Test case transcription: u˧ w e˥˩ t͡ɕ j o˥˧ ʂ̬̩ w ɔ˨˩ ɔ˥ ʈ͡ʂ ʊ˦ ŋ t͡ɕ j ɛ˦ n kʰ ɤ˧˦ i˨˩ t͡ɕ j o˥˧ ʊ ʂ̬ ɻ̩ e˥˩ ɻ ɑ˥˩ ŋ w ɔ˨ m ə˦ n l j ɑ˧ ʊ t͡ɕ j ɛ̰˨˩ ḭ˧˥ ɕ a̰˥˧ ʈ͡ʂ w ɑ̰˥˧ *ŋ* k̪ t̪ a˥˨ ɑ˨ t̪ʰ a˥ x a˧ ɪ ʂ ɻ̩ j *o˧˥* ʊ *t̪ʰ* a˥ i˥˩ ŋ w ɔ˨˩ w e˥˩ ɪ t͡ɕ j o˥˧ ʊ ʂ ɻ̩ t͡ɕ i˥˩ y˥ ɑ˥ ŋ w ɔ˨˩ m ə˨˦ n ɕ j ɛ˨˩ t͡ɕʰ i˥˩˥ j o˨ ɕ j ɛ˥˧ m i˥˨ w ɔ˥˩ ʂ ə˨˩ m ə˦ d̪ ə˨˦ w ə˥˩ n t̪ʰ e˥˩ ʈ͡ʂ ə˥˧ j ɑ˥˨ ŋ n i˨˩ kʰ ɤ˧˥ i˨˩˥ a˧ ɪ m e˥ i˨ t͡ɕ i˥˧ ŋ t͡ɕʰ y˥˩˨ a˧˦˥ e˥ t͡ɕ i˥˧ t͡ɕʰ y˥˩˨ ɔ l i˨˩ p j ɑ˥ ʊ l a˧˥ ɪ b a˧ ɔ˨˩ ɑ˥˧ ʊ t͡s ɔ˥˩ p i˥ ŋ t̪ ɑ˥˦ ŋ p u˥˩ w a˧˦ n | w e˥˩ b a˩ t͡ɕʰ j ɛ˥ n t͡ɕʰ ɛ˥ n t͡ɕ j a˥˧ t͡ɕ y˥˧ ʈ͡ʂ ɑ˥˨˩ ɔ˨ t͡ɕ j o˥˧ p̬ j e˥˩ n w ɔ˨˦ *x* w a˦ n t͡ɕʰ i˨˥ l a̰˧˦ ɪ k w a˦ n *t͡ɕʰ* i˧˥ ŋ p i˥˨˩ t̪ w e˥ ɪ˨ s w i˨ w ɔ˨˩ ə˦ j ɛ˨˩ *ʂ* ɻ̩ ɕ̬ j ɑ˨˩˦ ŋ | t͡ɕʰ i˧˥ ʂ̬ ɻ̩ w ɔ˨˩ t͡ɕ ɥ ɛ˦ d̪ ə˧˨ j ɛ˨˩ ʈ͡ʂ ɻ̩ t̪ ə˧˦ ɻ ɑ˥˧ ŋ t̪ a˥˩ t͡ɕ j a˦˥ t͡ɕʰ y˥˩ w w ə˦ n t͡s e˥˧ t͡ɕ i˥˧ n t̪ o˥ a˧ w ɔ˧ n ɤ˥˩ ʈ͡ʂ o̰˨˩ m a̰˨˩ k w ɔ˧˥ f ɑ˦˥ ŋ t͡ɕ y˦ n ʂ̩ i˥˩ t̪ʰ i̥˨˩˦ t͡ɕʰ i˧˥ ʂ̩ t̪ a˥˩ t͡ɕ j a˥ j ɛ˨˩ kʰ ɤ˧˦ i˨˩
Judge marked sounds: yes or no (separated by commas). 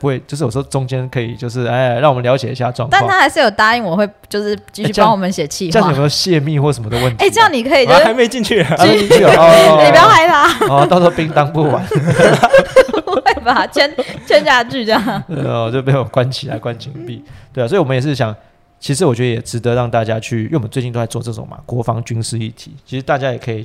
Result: yes, no, no, no, yes, yes